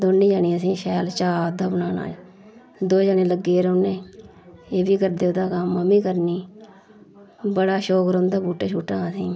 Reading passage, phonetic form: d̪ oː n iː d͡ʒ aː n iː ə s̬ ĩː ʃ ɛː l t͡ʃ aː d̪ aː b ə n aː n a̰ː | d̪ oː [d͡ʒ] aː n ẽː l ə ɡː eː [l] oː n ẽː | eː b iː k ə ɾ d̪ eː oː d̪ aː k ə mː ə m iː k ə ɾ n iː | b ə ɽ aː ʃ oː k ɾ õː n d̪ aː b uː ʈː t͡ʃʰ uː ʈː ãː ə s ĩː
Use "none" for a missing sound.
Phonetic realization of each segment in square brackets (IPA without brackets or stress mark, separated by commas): d͡ʒ, ɾ